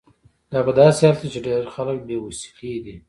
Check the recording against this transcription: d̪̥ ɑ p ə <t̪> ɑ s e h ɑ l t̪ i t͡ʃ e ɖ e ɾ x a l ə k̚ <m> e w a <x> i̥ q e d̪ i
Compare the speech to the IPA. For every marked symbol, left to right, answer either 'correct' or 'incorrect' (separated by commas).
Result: incorrect, incorrect, incorrect